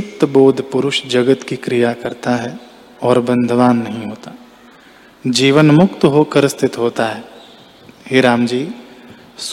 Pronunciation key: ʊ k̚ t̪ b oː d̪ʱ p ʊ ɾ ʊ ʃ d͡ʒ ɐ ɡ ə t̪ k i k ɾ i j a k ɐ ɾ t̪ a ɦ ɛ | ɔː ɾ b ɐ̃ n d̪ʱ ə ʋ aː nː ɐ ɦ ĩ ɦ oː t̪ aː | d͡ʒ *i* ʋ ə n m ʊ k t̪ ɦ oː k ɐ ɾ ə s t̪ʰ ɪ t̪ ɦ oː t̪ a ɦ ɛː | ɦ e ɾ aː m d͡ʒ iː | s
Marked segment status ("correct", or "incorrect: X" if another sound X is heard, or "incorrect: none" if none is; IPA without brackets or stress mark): incorrect: iː